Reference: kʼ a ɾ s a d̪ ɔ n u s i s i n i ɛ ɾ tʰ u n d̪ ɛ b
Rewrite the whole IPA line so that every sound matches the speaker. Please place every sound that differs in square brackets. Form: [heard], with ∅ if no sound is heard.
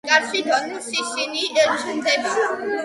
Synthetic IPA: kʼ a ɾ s [i] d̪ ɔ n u s i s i n i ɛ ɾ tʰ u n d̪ ɛ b

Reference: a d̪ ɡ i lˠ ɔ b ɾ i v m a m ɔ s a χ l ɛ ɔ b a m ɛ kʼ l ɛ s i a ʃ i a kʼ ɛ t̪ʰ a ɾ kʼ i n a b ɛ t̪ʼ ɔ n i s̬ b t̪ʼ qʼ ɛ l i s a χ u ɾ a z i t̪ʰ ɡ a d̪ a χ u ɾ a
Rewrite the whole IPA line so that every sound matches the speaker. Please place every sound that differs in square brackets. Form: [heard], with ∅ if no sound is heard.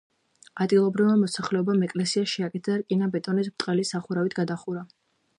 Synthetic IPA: a d̪ ɡ i lˠ ɔ b ɾ i v m a m ɔ s a χ l ɛ ɔ b a m ɛ kʼ l ɛ s i a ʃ i a kʼ ɛ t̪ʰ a ɾ kʼ i n a b ɛ t̪ʼ ɔ n i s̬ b t̪ʼ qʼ ɛ l i s a χ u ɾ a [v] i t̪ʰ ɡ a d̪ a χ u ɾ a

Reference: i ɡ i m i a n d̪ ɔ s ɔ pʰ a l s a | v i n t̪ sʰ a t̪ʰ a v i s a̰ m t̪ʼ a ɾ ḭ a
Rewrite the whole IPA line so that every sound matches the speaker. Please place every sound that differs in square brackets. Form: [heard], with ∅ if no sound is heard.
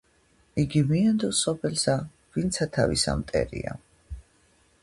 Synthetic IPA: i ɡ i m i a n d̪ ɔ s ɔ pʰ [ɛ] l s a | v i n t̪ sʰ a t̪ʰ a v i s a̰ m t̪ʼ [ɛ] ɾ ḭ a

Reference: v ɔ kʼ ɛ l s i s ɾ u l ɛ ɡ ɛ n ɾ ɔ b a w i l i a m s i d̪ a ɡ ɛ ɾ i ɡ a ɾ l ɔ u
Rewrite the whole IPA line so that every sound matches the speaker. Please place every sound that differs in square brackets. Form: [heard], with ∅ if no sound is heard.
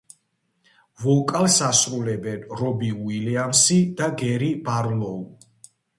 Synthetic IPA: v ɔ kʼ [a] l s [a] s ɾ u l ɛ [b] ɛ n ɾ ɔ b [i] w i l i a m s i d̪ a ɡ ɛ ɾ i [b] a ɾ l ɔ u

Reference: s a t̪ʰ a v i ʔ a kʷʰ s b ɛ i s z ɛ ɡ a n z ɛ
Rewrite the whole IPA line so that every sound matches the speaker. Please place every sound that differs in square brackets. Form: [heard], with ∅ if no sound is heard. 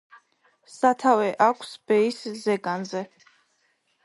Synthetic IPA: s a t̪ʰ a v [ɛ] ʔ a kʷʰ s b ɛ i s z ɛ ɡ a n z ɛ

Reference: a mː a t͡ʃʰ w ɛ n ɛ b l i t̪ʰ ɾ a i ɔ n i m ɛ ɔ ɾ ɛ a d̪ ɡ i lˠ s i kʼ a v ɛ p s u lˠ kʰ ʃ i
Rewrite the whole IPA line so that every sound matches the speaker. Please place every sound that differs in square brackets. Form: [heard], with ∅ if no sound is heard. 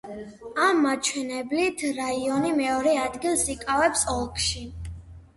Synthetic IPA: a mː a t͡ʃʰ w ɛ n ɛ b l i t̪ʰ ɾ a i ɔ n i m ɛ ɔ ɾ ɛ a d̪ ɡ i lˠ s i kʼ a v ɛ p s [ɔ] lˠ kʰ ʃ i

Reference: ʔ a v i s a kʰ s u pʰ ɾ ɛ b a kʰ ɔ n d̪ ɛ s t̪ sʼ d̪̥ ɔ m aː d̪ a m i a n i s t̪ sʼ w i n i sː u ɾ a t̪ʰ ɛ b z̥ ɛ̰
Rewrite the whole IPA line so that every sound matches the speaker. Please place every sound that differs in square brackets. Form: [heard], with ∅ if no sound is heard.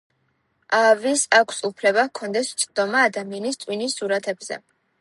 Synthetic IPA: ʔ a v i s a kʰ s u pʰ [l] ɛ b a kʰ ɔ n d̪ ɛ s t̪ sʼ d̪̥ ɔ m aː d̪ a m i a n i s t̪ sʼ w i n i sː u ɾ a t̪ʰ ɛ b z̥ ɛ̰

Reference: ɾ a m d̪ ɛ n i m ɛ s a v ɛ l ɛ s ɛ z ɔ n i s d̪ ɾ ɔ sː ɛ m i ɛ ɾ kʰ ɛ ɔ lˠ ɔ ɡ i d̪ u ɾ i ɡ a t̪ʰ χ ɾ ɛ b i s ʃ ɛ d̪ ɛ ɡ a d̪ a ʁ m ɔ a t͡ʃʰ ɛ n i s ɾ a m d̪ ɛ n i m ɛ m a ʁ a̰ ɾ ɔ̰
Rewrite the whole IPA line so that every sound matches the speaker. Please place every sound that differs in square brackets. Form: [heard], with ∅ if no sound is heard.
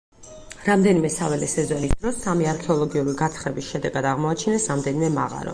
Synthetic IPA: ɾ a m d̪ ɛ n i m ɛ s a v ɛ l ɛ s ɛ z ɔ n i s d̪ ɾ ɔ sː [a] m i [a] ɾ kʰ ɛ ɔ lˠ ɔ ɡ i [∅] u ɾ i ɡ a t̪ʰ χ ɾ ɛ b i s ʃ ɛ d̪ ɛ ɡ a d̪ a ʁ m ɔ a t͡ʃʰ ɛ n [ɛ] s ɾ a m d̪ ɛ n i m ɛ m a ʁ a̰ ɾ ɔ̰

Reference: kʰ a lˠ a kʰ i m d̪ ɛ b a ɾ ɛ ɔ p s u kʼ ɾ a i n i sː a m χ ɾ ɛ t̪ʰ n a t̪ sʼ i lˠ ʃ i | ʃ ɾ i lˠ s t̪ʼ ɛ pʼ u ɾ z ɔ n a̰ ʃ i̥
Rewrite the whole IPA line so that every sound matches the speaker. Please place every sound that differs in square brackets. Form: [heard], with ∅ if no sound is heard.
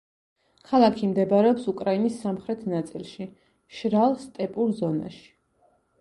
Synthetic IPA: kʰ a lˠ a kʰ i m d̪ ɛ b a ɾ ɛ ɔ p s u kʼ ɾ a i n i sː a m χ ɾ ɛ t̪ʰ n a t̪ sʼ i lˠ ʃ i | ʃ ɾ [a] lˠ s t̪ʼ ɛ pʼ u ɾ z ɔ n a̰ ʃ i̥

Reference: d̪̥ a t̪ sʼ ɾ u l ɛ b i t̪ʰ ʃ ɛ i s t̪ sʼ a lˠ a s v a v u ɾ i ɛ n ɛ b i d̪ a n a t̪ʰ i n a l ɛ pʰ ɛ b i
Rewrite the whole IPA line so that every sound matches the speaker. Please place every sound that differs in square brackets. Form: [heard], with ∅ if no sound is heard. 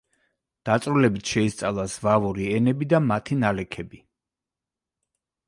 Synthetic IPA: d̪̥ a t̪ sʼ ɾ u l ɛ b i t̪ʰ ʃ ɛ i s t̪ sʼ a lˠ a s v a v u ɾ i ɛ n ɛ b i d̪ a [m] a t̪ʰ i n a l ɛ [kʰ] ɛ b i

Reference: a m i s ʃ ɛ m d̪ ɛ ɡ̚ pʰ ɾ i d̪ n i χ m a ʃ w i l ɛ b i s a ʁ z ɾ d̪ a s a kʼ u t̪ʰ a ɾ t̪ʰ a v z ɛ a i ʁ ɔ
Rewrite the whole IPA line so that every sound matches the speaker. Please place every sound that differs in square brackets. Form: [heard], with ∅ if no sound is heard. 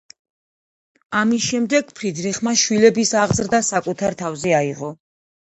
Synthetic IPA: a m i s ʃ ɛ m d̪ ɛ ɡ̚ pʰ ɾ i d̪ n i χ m a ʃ w i l ɛ b i s a ʁ z ɾ d̪ a s a kʼ u t̪ʰ a ɾ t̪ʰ a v z ɛ a i ʁ ɔ

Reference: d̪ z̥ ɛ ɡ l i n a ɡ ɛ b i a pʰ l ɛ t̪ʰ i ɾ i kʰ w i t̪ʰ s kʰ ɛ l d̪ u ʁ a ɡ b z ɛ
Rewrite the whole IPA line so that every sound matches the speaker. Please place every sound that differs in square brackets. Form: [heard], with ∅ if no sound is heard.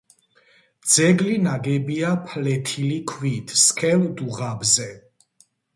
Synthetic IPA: d̪ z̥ ɛ ɡ l i n a ɡ ɛ b i a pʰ l ɛ t̪ʰ i [l] i kʰ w i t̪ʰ s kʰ ɛ l d̪ u ʁ a [∅] b z ɛ

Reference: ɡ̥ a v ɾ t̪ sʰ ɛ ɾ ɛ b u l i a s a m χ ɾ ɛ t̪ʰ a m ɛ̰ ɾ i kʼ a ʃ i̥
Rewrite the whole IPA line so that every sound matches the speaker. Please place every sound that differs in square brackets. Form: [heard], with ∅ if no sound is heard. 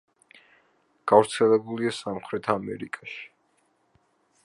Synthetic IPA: ɡ̥ a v ɾ t̪ sʰ ɛ [l] ɛ b u l i a s a m χ ɾ ɛ t̪ʰ a m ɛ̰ ɾ i kʼ a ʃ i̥

